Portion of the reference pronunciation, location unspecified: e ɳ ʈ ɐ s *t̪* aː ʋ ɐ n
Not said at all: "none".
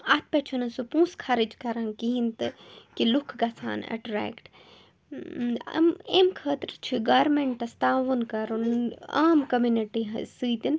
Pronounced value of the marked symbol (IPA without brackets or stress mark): t̪